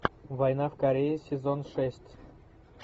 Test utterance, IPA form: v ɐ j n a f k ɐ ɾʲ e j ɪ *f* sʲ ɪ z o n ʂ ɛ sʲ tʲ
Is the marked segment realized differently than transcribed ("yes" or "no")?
yes